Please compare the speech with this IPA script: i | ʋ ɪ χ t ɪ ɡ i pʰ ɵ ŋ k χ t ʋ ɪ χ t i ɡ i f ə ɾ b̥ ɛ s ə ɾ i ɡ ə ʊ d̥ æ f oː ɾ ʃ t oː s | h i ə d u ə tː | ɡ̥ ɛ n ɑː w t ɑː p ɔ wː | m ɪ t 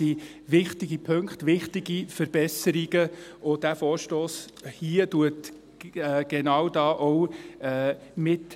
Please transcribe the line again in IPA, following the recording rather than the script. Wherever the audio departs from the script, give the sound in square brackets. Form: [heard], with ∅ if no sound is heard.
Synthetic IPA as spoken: i | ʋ ɪ χ t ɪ ɡ i pʰ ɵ ŋ k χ t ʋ ɪ χ t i ɡ i f ə ɾ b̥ ɛ s ə ɾ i ɡ ə ʊ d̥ æ f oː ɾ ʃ t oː s | h i ə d u ə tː | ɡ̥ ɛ n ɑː w [d] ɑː [ʔ] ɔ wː | m ɪ t